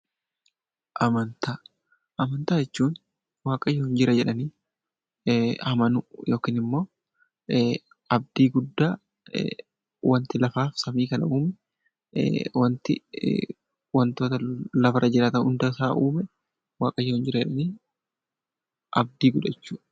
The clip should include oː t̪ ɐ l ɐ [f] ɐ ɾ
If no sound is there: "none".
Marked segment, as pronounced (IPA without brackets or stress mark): f